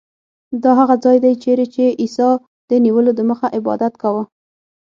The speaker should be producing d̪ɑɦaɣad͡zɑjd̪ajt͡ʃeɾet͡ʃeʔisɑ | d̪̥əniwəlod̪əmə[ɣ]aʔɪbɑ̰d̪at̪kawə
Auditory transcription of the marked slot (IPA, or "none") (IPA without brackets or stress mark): x